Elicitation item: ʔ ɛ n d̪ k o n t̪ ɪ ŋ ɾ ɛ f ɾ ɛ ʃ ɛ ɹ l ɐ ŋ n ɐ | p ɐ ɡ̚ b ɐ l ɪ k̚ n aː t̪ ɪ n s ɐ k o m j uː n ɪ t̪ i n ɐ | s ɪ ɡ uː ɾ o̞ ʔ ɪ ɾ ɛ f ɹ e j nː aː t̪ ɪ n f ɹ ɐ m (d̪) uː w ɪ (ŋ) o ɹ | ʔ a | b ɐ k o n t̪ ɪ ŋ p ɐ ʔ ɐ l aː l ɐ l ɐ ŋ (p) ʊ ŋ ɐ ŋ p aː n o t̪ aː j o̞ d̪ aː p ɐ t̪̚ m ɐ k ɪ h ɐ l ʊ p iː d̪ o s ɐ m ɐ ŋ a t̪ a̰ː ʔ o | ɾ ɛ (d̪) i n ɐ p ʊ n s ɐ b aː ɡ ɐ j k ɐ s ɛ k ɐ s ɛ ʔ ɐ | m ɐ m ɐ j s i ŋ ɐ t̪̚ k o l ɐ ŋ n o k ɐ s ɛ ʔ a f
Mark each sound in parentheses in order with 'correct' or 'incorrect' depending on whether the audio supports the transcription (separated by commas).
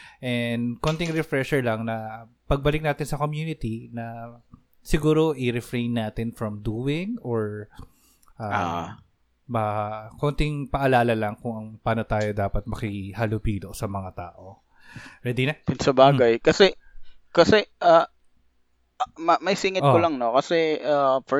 correct, correct, incorrect, correct